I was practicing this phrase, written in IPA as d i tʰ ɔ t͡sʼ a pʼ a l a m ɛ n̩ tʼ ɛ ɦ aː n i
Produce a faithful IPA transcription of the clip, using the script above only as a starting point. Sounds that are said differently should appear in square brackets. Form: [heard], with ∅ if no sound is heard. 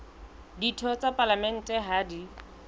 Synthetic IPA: d i tʰ ɔ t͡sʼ a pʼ a l a m ɛ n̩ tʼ ɛ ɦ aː [d] i